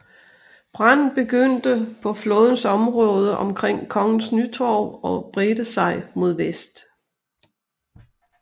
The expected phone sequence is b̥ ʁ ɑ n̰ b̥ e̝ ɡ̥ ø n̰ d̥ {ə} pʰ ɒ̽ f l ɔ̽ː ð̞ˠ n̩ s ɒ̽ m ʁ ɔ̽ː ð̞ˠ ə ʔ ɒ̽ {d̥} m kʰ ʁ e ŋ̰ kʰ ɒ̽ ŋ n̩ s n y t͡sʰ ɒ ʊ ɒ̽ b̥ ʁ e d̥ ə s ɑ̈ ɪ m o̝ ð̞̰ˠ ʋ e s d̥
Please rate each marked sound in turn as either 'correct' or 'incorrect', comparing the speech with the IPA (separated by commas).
correct, incorrect